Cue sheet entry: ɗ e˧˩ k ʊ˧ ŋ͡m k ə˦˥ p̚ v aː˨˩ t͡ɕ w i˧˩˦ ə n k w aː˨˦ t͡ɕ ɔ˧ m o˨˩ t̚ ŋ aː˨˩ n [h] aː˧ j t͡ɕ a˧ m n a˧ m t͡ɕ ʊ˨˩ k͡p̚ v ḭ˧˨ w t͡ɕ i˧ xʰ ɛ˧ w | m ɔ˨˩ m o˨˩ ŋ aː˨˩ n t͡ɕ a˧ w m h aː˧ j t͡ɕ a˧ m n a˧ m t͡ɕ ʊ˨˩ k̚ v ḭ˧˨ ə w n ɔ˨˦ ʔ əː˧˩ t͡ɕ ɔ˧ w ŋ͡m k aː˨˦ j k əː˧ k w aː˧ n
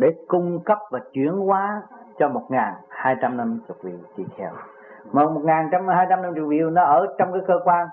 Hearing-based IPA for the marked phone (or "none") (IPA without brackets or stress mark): h